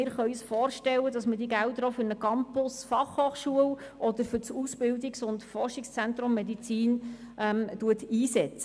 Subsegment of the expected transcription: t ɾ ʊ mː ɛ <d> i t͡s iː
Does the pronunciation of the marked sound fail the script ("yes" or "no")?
no